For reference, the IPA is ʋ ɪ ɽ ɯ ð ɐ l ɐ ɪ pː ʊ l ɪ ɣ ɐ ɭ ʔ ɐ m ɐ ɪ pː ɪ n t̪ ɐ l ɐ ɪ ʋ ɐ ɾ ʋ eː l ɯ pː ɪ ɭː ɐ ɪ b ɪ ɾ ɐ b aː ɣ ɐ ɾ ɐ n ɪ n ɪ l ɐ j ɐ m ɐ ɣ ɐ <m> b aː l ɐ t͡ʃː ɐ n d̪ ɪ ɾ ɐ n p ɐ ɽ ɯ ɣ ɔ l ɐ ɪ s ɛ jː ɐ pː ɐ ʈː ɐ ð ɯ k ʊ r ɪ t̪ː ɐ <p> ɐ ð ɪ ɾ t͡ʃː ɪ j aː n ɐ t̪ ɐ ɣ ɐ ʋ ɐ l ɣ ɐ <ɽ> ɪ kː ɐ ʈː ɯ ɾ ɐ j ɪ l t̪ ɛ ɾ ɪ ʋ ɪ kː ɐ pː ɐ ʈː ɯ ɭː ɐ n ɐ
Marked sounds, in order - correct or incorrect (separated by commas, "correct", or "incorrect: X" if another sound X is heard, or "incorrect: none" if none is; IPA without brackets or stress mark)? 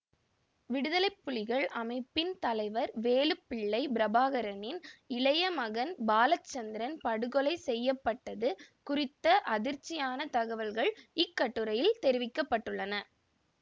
incorrect: n, incorrect: ʔ, incorrect: ɭ